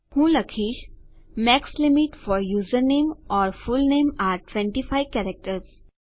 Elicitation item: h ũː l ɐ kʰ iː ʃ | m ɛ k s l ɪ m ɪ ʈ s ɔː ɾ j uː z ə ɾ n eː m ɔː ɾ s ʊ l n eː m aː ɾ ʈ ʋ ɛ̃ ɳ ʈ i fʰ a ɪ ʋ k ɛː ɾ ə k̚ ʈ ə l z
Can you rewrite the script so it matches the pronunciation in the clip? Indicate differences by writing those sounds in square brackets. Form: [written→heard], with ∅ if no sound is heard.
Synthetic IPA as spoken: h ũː l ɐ kʰ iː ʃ | m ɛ k s l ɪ m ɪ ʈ [s→f] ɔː ɾ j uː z ə ɾ n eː m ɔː ɾ [s→f] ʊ l n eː m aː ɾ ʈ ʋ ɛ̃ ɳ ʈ i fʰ a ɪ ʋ k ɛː ɾ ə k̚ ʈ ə [l→ɾ] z